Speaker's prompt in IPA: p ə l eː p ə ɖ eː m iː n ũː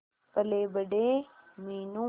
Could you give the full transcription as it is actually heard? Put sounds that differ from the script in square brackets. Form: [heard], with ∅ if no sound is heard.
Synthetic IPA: p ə l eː [b] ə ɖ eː m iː n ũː